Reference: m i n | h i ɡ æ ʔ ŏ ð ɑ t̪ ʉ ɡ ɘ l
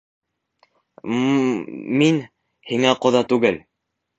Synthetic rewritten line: m i n | h i ŋ æ q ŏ ð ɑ t̪ ʉ ɡ ɘ l